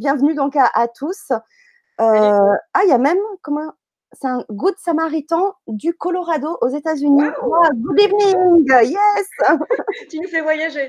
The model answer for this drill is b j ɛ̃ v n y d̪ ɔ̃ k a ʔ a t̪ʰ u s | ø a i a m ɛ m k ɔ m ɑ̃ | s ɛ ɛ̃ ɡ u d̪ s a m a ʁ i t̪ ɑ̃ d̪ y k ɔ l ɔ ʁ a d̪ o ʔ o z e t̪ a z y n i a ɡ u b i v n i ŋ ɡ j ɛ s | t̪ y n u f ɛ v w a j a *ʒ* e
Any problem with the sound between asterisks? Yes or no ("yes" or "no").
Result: no